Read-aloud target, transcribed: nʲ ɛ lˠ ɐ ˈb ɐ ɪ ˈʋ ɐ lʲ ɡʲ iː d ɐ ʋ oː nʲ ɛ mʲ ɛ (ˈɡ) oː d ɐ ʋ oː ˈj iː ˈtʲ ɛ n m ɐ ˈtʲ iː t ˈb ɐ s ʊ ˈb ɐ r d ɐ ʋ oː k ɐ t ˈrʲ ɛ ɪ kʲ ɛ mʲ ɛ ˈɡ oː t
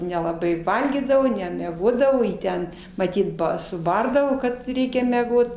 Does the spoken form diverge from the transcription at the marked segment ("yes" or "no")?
no